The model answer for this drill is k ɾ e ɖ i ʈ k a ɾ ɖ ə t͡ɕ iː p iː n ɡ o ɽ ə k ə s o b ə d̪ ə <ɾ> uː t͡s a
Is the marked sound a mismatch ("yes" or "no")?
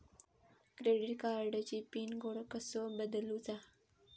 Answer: yes